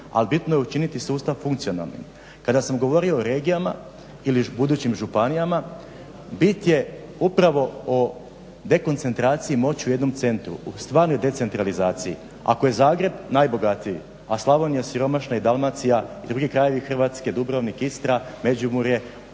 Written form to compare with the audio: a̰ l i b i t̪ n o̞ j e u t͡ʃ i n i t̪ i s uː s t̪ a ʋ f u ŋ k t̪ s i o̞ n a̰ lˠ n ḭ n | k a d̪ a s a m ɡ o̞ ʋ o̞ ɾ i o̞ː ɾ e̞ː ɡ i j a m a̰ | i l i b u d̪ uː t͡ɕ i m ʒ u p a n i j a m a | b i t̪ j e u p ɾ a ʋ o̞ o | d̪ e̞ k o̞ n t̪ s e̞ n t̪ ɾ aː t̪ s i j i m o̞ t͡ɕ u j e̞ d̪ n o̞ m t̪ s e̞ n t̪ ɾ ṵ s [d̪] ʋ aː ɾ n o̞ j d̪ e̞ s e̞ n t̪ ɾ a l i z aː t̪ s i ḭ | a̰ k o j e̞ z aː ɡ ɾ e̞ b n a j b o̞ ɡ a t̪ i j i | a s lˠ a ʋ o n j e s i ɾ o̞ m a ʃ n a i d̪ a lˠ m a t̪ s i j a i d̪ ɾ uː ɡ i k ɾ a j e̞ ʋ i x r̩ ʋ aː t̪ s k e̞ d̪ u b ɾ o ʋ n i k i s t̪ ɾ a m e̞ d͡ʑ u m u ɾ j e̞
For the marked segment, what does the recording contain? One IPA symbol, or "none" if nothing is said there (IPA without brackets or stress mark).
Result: t̪